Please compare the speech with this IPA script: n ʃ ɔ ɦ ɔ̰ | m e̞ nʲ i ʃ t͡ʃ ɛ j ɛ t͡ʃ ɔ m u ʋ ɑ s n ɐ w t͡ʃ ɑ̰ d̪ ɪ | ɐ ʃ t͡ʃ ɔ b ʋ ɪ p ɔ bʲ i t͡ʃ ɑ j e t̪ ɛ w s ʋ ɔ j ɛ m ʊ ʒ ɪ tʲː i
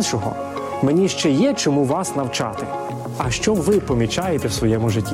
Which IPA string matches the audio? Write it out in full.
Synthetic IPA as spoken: n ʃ ɔ ɦ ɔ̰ | m e̞ nʲ i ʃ t͡ʃ ɛ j ɛ t͡ʃ ɔ m u ʋ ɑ s n ɐ w t͡ʃ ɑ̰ t̪ ɪ | ɐ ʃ t͡ʃ ɔ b ʋ ɪ p ɔ mʲ i t͡ʃ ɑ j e t̪ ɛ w s ʋ ɔ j ɛ m ʊ ʒ ɪ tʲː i